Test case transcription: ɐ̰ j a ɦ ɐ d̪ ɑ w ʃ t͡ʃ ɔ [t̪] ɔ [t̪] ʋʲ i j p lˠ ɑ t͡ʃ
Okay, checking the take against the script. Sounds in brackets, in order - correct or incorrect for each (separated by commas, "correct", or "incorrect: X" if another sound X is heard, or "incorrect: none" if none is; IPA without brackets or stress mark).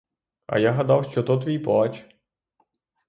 correct, correct